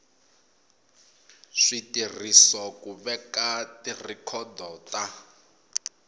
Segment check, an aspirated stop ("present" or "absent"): present